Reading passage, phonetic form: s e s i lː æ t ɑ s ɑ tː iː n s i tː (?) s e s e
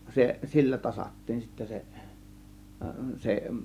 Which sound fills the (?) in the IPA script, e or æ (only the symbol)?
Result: æ